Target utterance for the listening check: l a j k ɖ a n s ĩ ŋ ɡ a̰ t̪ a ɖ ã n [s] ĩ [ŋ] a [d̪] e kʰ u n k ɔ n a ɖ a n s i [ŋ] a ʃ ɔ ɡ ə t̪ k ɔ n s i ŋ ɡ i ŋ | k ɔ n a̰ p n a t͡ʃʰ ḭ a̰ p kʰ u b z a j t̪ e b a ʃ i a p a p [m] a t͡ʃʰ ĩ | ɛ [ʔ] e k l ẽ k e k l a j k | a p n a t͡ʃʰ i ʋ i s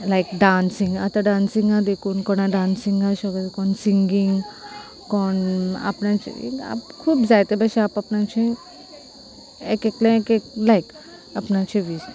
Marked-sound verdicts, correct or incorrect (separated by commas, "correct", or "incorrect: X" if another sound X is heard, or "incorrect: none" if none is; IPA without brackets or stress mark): correct, correct, correct, correct, incorrect: n, incorrect: k